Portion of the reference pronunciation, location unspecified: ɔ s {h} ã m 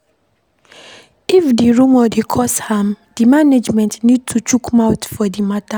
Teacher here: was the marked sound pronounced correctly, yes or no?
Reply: yes